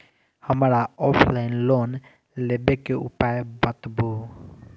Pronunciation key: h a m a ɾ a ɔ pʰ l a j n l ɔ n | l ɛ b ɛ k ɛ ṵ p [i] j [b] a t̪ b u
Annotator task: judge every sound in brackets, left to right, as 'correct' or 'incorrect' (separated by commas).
incorrect, correct